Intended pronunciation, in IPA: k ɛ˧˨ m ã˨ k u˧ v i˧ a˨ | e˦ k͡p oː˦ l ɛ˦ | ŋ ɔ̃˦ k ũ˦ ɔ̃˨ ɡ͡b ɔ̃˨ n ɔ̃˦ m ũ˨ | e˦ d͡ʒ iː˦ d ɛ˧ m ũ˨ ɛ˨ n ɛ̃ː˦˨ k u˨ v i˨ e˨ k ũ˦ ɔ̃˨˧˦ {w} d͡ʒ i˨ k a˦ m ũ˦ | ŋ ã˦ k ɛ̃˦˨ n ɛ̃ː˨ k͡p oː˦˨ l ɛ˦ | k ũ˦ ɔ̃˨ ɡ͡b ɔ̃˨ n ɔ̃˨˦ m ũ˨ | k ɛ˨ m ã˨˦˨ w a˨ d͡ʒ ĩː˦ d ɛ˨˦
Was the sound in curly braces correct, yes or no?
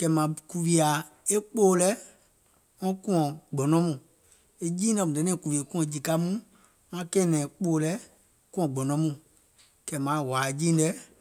no